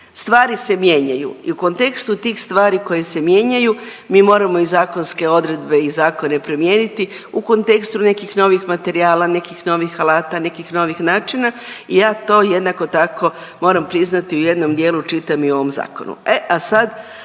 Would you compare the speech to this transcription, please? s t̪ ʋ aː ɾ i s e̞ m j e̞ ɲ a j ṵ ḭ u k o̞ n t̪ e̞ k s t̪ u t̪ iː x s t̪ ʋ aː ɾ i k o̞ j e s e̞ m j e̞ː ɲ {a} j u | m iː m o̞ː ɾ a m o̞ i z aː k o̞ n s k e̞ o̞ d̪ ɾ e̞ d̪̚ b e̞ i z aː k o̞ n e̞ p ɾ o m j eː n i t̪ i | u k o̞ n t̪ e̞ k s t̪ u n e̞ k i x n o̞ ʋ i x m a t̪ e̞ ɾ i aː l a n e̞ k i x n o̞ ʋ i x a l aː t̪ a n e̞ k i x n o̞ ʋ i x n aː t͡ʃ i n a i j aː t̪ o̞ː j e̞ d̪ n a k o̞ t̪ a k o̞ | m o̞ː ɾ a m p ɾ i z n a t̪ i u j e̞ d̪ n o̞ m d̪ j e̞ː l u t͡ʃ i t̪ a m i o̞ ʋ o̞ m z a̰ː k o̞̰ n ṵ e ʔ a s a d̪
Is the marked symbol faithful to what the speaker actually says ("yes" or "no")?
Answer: yes